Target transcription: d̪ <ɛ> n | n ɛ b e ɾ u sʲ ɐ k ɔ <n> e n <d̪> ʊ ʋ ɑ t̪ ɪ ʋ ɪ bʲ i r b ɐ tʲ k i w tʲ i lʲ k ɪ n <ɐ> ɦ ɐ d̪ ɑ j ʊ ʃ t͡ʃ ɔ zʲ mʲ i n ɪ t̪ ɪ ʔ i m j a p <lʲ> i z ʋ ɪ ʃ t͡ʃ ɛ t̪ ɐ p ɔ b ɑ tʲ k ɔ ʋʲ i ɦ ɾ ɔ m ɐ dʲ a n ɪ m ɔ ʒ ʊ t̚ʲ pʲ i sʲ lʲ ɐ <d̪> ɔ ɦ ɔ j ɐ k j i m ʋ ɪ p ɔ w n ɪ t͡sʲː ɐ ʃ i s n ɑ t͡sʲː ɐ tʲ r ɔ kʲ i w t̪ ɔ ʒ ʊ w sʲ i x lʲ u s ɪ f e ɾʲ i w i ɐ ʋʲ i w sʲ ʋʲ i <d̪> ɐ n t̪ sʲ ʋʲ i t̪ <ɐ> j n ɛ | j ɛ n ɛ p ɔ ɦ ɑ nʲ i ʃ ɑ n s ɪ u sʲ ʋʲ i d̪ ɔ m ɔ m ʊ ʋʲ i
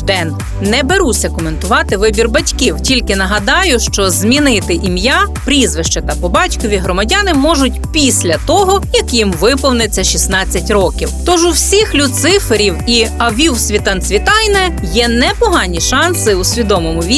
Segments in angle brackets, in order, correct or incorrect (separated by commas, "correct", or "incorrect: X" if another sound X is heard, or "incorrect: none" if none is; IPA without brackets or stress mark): correct, incorrect: m, incorrect: t̪, correct, incorrect: ɾʲ, incorrect: t̪, incorrect: t̪, incorrect: ɑ